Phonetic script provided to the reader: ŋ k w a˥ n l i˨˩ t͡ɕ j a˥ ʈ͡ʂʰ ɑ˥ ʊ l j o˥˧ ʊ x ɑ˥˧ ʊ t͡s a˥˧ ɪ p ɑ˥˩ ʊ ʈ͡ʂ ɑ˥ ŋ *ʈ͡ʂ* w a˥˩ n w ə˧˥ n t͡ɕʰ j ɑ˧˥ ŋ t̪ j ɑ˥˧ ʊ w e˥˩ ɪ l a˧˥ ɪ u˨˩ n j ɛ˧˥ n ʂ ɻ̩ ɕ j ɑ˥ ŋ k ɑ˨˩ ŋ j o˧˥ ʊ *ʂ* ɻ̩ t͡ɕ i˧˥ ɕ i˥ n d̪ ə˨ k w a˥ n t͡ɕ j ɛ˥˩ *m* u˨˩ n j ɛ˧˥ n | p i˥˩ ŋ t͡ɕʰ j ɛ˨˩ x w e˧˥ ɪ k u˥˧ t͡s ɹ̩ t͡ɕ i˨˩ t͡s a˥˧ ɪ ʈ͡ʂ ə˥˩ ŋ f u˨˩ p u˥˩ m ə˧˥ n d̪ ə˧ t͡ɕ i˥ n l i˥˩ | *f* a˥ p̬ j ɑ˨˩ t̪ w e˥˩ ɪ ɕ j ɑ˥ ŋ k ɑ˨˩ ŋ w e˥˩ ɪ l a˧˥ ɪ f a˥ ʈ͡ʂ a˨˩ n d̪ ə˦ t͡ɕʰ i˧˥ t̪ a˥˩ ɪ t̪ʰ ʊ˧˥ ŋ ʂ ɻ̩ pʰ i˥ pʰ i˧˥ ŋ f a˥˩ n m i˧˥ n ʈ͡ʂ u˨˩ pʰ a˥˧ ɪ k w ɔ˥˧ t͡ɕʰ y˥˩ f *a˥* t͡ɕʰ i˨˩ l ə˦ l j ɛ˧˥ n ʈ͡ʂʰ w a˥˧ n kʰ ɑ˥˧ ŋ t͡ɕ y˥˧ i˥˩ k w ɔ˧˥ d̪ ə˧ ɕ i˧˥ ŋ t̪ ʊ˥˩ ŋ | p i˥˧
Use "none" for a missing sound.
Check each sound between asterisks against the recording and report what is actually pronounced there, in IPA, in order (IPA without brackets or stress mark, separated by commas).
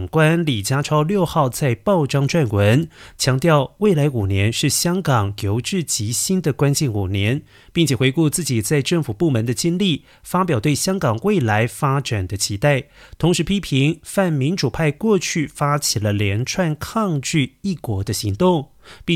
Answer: ʈ͡ʂ, ʈ͡ʂ, n, f, a˥